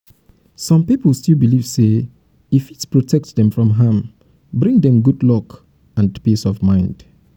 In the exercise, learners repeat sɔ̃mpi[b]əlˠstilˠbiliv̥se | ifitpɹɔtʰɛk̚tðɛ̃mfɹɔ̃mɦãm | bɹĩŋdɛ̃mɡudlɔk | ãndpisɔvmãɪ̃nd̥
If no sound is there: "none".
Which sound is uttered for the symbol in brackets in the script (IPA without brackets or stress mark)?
p